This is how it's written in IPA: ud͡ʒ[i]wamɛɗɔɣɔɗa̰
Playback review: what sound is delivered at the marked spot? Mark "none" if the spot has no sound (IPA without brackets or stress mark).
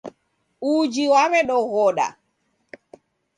i